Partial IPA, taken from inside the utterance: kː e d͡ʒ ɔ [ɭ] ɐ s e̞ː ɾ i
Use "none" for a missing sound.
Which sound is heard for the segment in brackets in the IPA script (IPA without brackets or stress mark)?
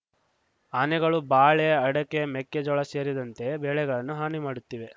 ɭ